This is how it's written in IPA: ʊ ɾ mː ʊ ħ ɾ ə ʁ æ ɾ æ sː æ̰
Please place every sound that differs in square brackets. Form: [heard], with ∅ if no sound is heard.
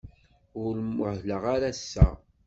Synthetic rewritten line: ʊ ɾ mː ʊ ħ [l] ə ʁ [a] ɾ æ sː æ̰